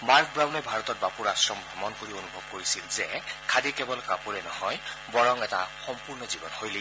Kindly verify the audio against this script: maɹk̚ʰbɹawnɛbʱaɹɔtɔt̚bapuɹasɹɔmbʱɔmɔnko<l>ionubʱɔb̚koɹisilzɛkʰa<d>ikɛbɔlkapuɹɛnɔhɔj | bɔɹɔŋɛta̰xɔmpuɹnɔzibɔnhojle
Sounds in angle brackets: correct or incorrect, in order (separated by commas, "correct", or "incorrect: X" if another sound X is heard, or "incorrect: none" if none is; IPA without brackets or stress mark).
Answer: incorrect: ɹ, correct